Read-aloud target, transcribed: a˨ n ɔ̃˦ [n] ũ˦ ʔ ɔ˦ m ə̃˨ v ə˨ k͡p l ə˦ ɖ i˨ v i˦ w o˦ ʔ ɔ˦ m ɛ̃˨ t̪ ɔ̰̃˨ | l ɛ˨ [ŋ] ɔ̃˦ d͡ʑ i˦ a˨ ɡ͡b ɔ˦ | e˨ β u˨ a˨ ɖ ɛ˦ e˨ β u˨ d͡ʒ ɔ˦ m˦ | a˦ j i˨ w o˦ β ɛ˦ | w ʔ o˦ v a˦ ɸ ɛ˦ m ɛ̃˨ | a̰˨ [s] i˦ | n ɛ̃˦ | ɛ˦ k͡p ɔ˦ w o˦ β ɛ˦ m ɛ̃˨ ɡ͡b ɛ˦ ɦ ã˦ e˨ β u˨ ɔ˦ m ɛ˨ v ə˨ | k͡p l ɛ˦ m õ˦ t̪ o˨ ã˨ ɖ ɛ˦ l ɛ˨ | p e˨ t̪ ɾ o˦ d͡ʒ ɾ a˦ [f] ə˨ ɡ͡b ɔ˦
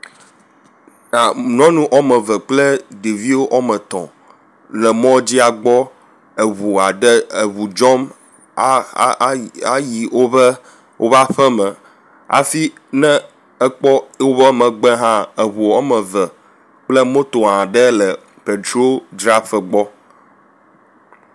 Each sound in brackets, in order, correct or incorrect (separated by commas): correct, incorrect, incorrect, correct